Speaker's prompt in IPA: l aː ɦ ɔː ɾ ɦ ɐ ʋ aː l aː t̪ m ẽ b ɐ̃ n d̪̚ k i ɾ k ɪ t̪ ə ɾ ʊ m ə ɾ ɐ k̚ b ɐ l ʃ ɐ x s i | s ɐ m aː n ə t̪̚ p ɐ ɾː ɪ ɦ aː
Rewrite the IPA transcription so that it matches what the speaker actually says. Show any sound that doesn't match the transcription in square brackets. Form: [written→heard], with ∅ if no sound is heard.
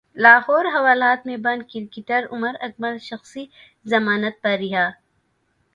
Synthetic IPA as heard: l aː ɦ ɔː ɾ ɦ ɐ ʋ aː l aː t̪ m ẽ b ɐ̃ n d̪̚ k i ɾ k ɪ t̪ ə ɾ ʊ m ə ɾ ɐ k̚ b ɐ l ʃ ɐ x s i | [s→z] ɐ m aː n ə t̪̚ p ɐ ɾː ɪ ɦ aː